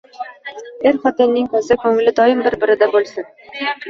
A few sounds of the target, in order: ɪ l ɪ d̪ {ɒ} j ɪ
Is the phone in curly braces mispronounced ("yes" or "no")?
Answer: no